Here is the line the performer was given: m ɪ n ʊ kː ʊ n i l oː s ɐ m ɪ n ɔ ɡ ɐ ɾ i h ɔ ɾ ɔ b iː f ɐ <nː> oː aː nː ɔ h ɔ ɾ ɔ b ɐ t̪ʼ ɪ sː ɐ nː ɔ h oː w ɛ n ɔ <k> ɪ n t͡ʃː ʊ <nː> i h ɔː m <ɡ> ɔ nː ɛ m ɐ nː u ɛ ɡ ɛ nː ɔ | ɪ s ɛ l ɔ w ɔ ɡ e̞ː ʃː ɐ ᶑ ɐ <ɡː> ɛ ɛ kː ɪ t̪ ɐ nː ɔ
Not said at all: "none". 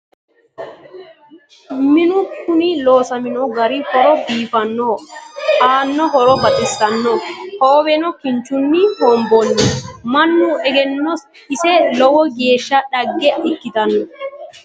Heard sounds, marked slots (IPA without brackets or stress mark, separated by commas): nː, k, nː, b, ɡː